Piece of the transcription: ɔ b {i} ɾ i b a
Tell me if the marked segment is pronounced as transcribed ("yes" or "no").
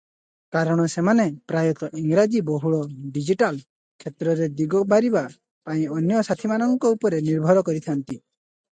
no